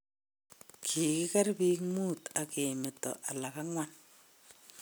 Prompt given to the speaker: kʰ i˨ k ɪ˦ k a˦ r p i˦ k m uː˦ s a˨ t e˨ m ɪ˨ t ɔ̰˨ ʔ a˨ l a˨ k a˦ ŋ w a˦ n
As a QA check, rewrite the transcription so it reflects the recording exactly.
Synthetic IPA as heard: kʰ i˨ k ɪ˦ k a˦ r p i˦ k m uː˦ t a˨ k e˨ m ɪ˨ t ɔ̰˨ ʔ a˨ l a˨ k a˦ ŋ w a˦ n